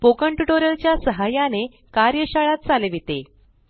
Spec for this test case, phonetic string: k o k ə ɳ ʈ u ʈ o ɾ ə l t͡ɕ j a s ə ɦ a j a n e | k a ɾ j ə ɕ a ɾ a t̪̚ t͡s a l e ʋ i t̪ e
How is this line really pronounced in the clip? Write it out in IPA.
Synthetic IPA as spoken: p o k ə ɳ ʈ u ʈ o ɾ ə l t͡ɕ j a s ə ɦ a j a n e | k a ɾ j ə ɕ a ɭ a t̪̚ t͡s a l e ʋ i t̪ e